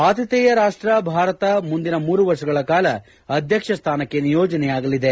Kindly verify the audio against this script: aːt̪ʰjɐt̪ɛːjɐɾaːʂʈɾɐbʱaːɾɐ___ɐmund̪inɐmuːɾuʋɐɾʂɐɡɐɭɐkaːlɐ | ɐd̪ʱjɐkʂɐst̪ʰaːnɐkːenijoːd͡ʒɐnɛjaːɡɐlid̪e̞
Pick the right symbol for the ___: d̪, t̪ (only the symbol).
t̪